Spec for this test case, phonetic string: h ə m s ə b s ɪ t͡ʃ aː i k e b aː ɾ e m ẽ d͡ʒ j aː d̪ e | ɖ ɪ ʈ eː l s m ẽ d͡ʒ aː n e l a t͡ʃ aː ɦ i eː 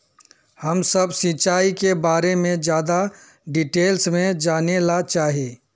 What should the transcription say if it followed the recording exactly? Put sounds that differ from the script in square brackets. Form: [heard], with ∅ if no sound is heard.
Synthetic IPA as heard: h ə m s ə b s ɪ t͡ʃ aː i k e b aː ɾ e m ẽ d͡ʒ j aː d̪ [a] | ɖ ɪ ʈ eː l s m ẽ d͡ʒ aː n e l a t͡ʃ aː ɦ i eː